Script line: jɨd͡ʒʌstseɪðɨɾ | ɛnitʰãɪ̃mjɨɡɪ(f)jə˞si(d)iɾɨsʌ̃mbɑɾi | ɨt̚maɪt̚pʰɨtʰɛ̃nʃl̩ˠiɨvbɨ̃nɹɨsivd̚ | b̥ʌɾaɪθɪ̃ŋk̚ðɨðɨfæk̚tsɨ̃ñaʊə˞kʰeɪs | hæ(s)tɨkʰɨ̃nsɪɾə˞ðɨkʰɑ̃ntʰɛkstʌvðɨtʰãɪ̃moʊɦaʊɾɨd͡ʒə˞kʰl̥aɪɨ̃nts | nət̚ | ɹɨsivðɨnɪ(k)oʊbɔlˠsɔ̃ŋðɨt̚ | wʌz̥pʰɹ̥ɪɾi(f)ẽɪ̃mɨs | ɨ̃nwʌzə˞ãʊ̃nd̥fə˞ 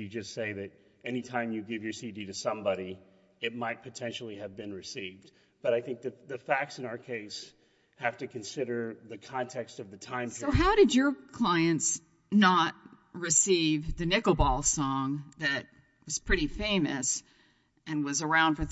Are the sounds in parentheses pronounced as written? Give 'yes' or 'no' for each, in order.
no, yes, no, yes, yes

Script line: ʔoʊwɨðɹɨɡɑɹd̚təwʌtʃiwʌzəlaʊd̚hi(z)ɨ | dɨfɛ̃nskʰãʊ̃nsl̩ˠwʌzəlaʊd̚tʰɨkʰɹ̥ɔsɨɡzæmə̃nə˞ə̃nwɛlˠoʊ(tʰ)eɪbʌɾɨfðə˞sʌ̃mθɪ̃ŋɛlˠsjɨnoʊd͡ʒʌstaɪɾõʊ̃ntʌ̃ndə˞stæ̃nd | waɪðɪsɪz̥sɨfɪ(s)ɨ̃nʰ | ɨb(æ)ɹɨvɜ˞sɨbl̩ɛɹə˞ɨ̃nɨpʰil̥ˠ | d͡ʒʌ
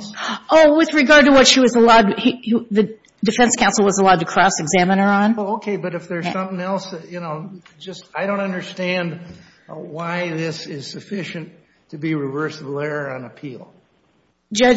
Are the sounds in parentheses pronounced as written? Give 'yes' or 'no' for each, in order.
no, no, no, no

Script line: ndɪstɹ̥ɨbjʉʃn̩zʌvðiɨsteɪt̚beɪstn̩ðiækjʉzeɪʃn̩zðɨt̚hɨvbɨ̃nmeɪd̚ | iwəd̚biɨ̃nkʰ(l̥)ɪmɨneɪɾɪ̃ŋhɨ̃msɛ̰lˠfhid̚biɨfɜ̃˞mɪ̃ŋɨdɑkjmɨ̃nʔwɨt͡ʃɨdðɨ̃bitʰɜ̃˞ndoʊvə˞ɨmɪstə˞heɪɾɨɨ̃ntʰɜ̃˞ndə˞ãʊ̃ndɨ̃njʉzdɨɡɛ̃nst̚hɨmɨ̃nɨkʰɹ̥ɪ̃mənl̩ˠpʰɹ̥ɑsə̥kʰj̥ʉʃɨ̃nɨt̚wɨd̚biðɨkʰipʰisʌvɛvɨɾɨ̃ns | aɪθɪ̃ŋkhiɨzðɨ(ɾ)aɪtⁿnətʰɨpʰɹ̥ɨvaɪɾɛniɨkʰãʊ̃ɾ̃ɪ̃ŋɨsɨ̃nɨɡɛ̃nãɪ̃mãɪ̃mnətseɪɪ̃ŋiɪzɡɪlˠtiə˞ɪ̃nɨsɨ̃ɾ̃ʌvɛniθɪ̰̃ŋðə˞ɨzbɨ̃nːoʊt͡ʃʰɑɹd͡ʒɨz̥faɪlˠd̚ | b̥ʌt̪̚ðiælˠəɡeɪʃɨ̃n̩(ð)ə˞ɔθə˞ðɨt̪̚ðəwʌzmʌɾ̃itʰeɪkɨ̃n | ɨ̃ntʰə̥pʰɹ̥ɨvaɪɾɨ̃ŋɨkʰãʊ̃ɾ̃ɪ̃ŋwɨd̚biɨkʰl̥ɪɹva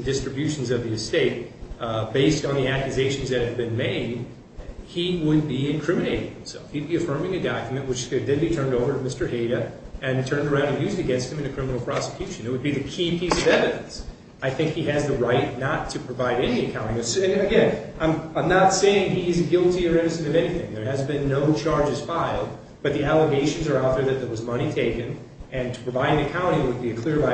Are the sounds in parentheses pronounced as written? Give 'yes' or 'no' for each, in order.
no, no, no

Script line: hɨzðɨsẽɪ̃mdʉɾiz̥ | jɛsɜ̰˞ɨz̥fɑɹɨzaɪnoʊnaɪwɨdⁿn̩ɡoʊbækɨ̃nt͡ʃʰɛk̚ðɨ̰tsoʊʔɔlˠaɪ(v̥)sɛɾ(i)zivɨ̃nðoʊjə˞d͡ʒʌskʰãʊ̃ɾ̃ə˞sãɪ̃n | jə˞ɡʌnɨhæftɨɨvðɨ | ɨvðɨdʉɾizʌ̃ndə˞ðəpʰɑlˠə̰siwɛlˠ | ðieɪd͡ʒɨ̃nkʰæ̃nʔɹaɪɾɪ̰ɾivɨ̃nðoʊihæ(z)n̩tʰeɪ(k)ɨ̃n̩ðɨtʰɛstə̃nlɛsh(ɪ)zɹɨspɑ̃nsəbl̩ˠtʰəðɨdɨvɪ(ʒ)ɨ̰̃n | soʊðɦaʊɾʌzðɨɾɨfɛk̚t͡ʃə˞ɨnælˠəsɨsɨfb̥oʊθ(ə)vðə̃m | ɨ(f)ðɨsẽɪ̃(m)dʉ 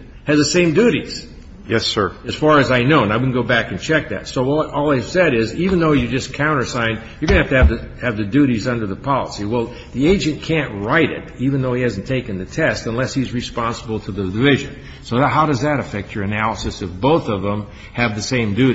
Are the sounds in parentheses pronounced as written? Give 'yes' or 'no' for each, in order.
yes, no, yes, yes, no, yes, no, no, yes

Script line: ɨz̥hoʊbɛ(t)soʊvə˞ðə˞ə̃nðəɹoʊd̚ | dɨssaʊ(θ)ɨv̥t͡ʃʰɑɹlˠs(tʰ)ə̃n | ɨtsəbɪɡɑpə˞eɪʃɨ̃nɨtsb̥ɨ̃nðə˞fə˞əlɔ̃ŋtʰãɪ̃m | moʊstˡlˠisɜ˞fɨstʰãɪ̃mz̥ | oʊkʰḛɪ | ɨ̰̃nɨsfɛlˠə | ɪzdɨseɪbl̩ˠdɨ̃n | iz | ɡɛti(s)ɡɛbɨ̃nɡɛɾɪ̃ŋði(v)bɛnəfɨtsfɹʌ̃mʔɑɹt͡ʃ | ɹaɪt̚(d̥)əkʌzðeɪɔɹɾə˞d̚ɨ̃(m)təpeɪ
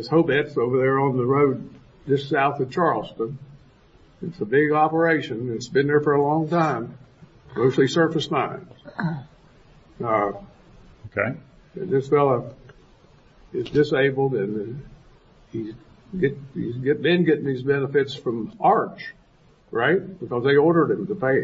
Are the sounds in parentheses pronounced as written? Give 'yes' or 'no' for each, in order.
yes, yes, no, no, no, no, yes

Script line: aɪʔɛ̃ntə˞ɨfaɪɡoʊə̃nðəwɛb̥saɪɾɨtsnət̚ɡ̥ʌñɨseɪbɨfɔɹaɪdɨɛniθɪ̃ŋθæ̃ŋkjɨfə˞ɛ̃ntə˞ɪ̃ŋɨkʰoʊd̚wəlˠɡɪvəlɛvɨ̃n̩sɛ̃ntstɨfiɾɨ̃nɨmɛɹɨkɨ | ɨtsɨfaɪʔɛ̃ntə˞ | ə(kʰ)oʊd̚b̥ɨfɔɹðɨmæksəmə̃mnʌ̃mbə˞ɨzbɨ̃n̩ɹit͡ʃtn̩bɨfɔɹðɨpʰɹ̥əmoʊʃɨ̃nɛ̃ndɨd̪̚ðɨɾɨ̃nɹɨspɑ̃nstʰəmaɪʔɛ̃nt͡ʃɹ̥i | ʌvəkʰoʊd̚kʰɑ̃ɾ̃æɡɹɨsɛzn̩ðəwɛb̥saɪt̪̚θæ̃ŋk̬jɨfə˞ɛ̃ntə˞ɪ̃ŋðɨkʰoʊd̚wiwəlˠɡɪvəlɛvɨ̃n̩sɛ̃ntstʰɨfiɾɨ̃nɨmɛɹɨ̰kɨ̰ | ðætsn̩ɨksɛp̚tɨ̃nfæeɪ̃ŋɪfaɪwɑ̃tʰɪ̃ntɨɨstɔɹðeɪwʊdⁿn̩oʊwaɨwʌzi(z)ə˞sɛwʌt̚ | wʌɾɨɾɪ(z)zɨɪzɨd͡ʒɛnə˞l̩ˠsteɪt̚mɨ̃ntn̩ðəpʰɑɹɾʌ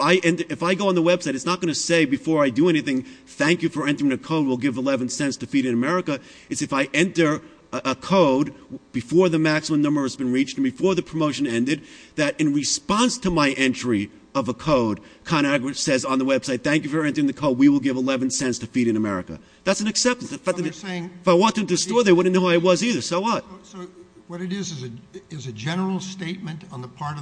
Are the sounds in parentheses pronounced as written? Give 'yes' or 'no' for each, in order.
yes, no, yes

